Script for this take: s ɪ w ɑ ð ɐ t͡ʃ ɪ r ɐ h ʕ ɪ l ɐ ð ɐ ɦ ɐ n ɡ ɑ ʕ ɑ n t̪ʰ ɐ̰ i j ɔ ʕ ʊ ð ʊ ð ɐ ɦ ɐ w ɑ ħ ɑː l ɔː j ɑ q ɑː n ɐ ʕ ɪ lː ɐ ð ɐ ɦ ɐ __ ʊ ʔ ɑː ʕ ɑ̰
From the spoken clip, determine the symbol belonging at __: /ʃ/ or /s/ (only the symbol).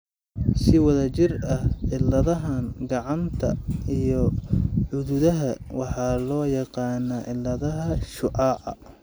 ʃ